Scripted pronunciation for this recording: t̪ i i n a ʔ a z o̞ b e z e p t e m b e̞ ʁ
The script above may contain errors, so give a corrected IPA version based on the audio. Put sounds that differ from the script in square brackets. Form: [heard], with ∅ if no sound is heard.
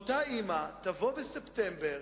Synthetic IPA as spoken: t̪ [a] i [m] a [t] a [v] o̞ b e [s] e p t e m b e̞ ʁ